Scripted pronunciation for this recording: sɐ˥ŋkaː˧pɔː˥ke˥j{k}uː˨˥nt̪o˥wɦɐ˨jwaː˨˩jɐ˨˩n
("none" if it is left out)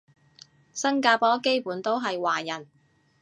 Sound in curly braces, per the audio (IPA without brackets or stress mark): p